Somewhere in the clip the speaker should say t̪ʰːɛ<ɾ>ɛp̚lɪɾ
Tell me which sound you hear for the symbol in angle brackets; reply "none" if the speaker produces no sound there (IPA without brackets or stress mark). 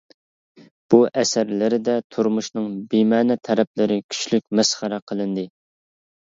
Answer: ɾ